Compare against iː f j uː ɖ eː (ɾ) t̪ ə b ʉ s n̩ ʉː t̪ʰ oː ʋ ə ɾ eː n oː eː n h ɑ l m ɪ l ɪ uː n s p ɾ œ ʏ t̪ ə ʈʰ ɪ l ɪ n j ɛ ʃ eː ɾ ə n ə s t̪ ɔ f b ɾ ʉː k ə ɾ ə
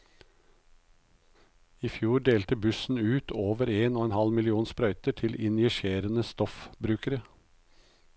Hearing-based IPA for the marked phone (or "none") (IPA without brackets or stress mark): l